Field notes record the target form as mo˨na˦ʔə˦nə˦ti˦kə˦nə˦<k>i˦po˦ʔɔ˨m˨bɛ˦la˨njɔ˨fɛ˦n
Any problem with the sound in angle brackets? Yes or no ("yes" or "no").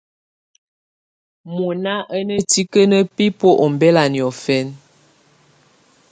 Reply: yes